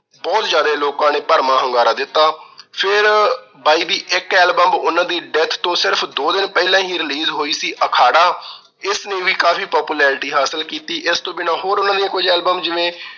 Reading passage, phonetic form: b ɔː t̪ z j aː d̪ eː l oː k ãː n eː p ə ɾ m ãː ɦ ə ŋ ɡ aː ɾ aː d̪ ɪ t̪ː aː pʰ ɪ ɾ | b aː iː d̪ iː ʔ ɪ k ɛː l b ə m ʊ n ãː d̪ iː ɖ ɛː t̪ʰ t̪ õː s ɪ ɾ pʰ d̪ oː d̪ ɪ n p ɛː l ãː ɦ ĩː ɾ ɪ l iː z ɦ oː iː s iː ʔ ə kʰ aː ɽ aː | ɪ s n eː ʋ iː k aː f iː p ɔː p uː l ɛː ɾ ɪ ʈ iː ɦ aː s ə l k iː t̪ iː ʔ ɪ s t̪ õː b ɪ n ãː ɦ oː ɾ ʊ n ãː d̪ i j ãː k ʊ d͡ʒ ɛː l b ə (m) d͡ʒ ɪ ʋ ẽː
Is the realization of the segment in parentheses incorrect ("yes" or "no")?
no